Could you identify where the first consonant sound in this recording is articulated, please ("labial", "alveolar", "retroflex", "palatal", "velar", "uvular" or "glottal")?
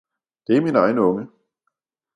alveolar